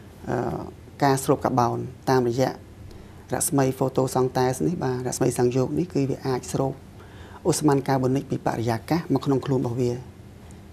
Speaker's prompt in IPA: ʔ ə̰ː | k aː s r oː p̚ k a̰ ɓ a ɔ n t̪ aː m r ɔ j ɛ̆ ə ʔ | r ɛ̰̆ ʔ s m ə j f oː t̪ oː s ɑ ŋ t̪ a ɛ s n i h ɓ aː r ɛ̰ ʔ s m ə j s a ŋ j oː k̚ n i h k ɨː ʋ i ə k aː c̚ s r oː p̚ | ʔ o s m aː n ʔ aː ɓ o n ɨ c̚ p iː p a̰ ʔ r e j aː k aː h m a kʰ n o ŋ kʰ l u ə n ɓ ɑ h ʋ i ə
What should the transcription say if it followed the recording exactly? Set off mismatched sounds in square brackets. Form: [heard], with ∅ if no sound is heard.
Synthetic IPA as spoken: ʔ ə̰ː | k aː s r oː p̚ k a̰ ɓ a ɔ n t̪ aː m r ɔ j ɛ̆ ə ʔ | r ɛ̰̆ ʔ s m ə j f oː t̪ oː s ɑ ŋ t̪ a ɛ s n i h ɓ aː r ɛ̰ ʔ s m ə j s a ŋ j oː k̚ n i h k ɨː ʋ i ə [ʔ] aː c̚ s r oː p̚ | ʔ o s m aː n [k] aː ɓ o n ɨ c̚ p iː p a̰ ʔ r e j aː k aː h m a kʰ n o ŋ kʰ l u ə n ɓ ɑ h ʋ i ə